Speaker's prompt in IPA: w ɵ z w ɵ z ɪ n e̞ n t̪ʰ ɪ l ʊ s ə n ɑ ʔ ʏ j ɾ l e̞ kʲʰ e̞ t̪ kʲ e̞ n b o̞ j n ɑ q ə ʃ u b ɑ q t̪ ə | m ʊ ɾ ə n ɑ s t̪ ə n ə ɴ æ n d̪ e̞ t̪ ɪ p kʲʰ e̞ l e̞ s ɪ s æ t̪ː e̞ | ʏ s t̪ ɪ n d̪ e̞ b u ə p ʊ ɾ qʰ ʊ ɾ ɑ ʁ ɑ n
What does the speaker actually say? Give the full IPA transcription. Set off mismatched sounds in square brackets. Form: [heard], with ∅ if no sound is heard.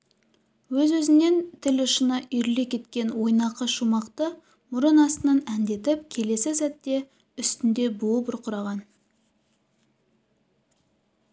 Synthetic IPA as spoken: w ɵ z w ɵ z ɪ n e̞ n t̪ʰ ɪ l ʊ [ʃ] ə n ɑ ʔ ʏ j ɾ l e̞ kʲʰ e̞ t̪ kʲ e̞ n [w] o̞ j n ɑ q ə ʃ u [m] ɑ q t̪ ə | m ʊ ɾ ə n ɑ s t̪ ə n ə [n] æ n d̪ e̞ t̪ ɪ p kʲʰ e̞ l e̞ s ɪ s æ t̪ː e̞ | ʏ s t̪ ɪ n d̪ e̞ b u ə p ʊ ɾ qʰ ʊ ɾ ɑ ʁ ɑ n

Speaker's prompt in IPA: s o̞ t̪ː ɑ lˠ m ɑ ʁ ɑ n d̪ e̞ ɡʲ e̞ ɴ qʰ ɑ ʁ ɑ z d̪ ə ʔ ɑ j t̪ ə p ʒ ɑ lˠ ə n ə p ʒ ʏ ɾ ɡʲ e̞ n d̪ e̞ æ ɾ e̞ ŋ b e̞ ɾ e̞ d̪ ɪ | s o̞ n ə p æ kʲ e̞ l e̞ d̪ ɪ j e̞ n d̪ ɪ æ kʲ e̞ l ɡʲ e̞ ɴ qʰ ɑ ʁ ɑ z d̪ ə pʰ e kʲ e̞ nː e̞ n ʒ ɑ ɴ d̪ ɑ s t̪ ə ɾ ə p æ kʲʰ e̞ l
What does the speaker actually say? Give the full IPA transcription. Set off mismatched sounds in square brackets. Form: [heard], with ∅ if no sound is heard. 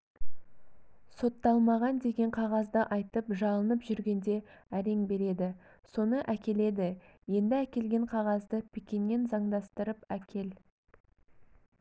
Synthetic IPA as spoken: s o̞ t̪ː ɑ lˠ m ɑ ʁ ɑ n d̪ e̞ ɡʲ e̞ ɴ qʰ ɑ ʁ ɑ z d̪ ə ʔ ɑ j t̪ ə p ʒ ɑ lˠ ə n ə p ʒ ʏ ɾ ɡʲ e̞ n d̪ e̞ æ ɾ e̞ ŋ b e̞ ɾ e̞ d̪ ɪ | s o̞ n ə [ʔ] æ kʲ e̞ l e̞ d̪ ɪ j e̞ n d̪ ɪ æ kʲ e̞ l ɡʲ e̞ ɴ qʰ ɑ ʁ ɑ z d̪ ə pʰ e kʲ e̞ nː e̞ n [z] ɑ ɴ d̪ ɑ s t̪ ə ɾ ə p æ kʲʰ e̞ l

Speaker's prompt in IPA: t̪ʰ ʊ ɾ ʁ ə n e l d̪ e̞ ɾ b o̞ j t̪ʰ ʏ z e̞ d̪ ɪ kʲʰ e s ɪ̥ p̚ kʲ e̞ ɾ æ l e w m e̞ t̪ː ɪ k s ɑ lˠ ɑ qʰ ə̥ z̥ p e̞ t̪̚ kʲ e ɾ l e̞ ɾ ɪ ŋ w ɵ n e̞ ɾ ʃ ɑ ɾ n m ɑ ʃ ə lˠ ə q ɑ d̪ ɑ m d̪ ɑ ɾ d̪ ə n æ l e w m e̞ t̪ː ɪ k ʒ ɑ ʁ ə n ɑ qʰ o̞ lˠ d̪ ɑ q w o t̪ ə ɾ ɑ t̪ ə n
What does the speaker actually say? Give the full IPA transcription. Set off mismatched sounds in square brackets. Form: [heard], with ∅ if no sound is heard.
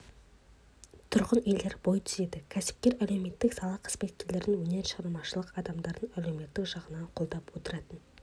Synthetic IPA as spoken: t̪ʰ ʊ ɾ ʁ ə n e l d̪ e̞ ɾ b o̞ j t̪ʰ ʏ z e̞ d̪ ɪ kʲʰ [æ] s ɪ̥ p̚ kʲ e̞ ɾ æ l e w m e̞ t̪ː ɪ k s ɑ lˠ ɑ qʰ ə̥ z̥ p e̞ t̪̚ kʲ e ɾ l e̞ ɾ ɪ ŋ w ɵ n e̞ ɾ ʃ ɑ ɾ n m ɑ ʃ ə lˠ ə q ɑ d̪ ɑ m d̪ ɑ ɾ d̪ ə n æ l e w m e̞ t̪ː ɪ k ʒ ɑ ʁ ə n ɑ qʰ o̞ lˠ d̪ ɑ [p] w o t̪ ə ɾ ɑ t̪ ə n

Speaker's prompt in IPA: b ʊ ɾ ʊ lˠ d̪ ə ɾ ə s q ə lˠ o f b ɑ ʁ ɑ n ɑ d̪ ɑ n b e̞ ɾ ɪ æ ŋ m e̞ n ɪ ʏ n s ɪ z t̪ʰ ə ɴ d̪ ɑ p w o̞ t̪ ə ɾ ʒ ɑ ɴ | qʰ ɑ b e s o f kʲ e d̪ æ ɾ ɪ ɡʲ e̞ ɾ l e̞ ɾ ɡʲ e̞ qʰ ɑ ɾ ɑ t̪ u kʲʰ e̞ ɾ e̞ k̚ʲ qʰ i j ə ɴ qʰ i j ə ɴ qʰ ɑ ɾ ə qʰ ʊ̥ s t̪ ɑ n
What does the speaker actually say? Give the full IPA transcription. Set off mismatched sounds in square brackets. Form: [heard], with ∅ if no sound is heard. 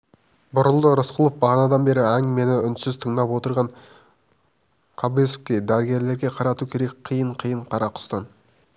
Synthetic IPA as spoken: b ʊ ɾ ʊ lˠ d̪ ə ɾ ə s q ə lˠ o f b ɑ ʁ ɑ n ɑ d̪ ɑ n b e̞ ɾ ɪ æ ŋ m e̞ n ɪ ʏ n s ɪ z t̪ʰ ə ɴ d̪ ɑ p w o̞ t̪ ə ɾ [ʁ] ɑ ɴ | qʰ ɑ b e s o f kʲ e d̪ æ ɾ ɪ ɡʲ e̞ ɾ l e̞ ɾ ɡʲ e̞ qʰ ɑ ɾ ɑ t̪ u kʲʰ e̞ ɾ e̞ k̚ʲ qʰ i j ə ɴ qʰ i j ə ɴ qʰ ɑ ɾ [ɑ] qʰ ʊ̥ s t̪ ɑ n

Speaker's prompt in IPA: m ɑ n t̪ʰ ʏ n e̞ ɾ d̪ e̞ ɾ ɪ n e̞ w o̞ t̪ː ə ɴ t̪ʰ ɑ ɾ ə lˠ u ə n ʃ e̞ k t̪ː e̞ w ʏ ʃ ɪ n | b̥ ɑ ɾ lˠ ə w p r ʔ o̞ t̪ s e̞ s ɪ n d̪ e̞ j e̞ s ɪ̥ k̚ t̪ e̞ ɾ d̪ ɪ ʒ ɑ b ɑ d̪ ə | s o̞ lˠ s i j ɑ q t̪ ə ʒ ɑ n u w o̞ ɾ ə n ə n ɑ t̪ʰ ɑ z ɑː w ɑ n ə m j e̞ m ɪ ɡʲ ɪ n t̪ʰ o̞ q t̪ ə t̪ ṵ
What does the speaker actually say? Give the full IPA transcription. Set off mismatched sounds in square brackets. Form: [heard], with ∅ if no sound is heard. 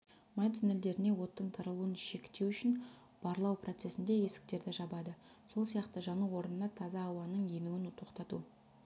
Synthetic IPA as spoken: m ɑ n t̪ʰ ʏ n e̞ [l] d̪ e̞ ɾ ɪ n e̞ w o̞ t̪ː ə ɴ t̪ʰ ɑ ɾ ə lˠ u ə n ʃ e̞ k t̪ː e̞ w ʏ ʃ ɪ n | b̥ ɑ ɾ lˠ [ɑ] w p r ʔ o̞ t̪ s e̞ s ɪ n d̪ e̞ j e̞ s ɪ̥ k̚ t̪ e̞ ɾ d̪ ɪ ʒ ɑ b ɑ d̪ ə | s o̞ lˠ s i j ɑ q t̪ ə ʒ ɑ n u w o̞ ɾ ə n ə n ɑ t̪ʰ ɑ z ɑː w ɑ n ə [ɴ] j e̞ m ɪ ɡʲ ɪ n t̪ʰ o̞ q t̪ [ɑ] t̪ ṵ

